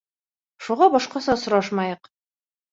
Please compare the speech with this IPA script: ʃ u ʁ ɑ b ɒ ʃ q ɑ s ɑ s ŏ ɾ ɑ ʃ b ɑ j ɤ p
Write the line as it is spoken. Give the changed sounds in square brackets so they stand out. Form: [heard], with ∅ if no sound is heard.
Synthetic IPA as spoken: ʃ u ʁ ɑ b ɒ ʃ q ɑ s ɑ s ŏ ɾ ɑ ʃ [m] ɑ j ɤ [q]